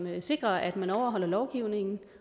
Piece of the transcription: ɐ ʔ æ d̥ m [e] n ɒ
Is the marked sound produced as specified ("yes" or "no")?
no